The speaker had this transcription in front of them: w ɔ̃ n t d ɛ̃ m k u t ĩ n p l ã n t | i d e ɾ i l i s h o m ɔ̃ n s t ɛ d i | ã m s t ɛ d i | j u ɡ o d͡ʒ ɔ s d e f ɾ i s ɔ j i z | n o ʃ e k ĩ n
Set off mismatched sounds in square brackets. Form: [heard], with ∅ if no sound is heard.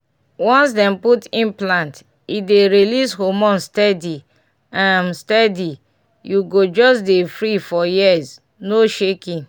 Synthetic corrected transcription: w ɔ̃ n [s] d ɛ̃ m [p] u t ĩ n p l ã n t | i d e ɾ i l i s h o m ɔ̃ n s t ɛ d i | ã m s t ɛ d i | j u ɡ o d͡ʒ ɔ s d e f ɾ i [f] ɔ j i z | n o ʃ e k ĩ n

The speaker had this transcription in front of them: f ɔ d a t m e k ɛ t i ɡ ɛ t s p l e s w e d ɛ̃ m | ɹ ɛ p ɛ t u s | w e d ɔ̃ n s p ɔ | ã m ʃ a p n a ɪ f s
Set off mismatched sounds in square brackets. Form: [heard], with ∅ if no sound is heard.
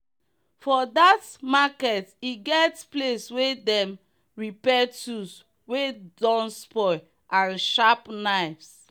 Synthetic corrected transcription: f ɔ d a t m [a] k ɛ t i ɡ ɛ t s p l e s w e d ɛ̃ m | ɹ [i] p ɛ t u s | w e d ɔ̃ n s p ɔ | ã [n] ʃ a p n a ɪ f s

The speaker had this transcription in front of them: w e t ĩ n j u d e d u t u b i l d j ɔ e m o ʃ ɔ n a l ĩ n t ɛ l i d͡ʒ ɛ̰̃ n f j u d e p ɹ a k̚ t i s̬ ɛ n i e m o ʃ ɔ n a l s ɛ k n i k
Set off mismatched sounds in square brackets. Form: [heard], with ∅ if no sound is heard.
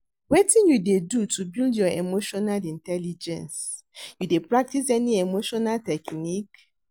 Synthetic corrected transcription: w e t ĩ n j u d e d u t u b i l d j ɔ e m o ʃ ɔ n a l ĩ n t ɛ l i d͡ʒ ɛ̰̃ n [s] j u d e p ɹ a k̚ t i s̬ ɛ n i e m o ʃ ɔ n a l [t] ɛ k n i k

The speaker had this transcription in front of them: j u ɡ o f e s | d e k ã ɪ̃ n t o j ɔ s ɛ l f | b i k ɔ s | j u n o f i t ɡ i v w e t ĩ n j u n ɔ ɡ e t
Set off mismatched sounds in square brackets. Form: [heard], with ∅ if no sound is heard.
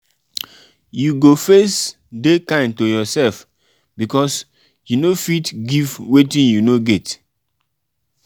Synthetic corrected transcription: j u ɡ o f e s | d e k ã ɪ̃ n t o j ɔ s ɛ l f | b i k ɔ s | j u n o f i t ɡ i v w e t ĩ n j u n [o] ɡ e t

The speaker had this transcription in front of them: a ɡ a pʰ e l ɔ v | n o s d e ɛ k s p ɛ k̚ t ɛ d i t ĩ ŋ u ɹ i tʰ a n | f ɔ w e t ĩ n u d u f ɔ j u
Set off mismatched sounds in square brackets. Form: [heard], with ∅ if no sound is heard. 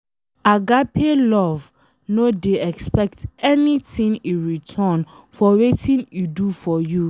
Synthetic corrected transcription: a ɡ a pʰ e l ɔ v | n o [∅] d e ɛ k s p ɛ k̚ t ɛ [n] i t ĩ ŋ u ɹ i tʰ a n | f ɔ w e t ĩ n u d u f ɔ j u

